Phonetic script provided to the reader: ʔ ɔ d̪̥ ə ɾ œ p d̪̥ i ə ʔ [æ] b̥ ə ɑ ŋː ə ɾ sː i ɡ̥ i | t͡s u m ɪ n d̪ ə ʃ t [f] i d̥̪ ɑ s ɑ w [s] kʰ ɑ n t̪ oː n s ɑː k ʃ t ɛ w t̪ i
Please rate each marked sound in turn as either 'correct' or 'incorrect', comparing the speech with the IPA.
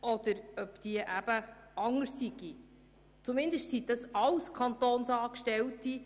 correct, incorrect, correct

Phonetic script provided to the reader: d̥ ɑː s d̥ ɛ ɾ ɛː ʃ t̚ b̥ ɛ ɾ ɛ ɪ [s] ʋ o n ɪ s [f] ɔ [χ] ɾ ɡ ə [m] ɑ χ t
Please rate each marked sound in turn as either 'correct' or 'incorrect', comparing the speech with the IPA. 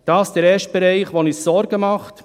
incorrect, incorrect, incorrect, correct

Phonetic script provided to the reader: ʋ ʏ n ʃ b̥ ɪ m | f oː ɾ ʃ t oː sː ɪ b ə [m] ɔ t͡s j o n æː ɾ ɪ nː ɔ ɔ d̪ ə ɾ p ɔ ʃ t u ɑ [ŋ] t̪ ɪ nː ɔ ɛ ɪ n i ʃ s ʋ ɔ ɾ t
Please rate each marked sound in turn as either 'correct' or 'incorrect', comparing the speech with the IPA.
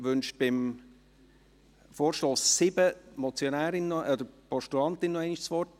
correct, incorrect

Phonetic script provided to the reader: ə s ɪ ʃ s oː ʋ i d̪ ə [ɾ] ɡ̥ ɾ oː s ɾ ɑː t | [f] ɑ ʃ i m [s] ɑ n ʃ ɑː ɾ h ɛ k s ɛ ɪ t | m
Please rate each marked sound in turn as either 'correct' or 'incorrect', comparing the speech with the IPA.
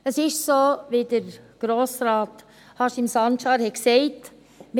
correct, incorrect, correct

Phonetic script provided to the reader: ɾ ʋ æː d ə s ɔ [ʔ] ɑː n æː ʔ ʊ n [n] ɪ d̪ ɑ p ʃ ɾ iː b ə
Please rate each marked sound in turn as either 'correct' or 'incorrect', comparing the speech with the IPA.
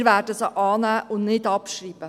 correct, correct

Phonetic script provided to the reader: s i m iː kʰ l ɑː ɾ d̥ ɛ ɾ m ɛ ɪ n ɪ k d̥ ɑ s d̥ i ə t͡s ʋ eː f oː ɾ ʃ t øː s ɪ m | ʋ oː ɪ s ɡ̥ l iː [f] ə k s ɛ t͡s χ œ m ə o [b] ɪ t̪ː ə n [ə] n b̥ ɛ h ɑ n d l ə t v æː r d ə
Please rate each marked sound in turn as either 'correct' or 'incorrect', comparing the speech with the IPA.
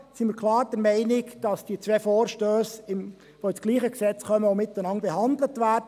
incorrect, incorrect, incorrect

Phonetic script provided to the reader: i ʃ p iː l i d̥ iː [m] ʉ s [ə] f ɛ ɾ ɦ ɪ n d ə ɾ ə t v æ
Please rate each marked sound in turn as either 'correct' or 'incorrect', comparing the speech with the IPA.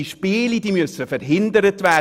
correct, correct

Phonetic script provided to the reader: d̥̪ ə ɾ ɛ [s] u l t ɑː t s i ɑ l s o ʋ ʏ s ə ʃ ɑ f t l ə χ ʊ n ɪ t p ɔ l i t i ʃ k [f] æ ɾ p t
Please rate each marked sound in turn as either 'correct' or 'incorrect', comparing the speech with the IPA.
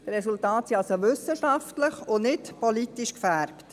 correct, correct

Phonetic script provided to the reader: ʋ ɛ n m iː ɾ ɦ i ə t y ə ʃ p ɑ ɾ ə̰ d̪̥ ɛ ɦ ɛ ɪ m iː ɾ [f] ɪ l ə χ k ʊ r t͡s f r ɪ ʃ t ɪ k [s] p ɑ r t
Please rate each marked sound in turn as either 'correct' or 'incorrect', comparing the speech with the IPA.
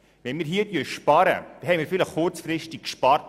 correct, incorrect

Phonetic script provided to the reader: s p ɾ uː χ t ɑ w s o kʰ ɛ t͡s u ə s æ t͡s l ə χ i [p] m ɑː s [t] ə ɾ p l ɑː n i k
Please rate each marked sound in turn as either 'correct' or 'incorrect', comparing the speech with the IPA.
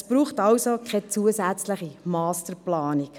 incorrect, correct

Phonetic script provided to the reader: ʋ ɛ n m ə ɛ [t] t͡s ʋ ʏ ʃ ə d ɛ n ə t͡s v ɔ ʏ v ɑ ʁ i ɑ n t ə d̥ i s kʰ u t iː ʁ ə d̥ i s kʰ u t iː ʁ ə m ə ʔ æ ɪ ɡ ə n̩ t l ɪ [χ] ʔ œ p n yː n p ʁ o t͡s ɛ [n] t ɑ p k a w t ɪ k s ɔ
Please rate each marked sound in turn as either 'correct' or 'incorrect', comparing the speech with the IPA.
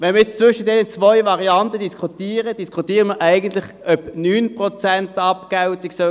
incorrect, correct, correct

